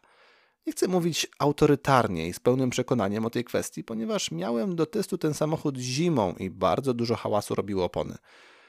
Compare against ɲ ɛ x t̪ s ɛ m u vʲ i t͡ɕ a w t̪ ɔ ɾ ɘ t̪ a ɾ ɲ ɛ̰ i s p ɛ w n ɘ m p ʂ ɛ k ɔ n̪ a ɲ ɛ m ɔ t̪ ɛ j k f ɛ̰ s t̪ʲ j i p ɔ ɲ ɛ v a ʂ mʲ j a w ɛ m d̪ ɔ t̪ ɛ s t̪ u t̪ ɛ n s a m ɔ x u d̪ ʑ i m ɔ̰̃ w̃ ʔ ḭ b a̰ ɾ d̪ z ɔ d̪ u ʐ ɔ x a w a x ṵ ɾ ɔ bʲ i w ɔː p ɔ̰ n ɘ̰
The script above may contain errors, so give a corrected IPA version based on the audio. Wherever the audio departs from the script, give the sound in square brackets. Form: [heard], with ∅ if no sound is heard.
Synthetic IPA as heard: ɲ ɛ x t̪ s ɛ m u vʲ i t͡ɕ a w t̪ ɔ ɾ ɘ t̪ a ɾ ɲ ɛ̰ i s p ɛ w n ɘ m p ʂ ɛ k ɔ n̪ a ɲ ɛ m ɔ t̪ ɛ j k f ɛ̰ s t̪ʲ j i p ɔ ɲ ɛ v a ʂ mʲ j a w ɛ m d̪ ɔ t̪ ɛ s t̪ u t̪ ɛ n s a m ɔ x u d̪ ʑ i m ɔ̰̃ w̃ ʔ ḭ b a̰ ɾ d̪ z ɔ d̪ u ʐ ɔ x a w a [s] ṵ ɾ ɔ bʲ i w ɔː p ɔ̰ n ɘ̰